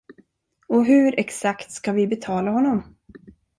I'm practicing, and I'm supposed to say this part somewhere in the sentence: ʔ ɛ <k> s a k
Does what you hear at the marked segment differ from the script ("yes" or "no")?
no